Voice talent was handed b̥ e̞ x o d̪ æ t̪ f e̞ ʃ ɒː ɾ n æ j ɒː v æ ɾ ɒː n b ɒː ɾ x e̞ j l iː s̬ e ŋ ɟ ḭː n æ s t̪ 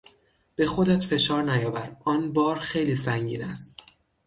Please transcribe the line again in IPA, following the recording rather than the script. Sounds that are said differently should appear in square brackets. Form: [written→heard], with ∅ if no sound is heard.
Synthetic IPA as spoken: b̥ e̞ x o d̪ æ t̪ f e̞ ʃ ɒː ɾ n æ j ɒː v æ ɾ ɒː n b ɒː ɾ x e̞ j l iː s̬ [e→æ] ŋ ɟ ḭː n æ s t̪